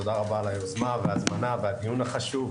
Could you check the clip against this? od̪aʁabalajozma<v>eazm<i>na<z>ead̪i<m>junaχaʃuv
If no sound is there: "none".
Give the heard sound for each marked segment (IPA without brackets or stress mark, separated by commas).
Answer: v, a, v, none